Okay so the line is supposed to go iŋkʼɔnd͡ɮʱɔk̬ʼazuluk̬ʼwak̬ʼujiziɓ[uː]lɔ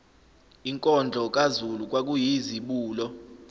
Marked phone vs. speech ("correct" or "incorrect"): correct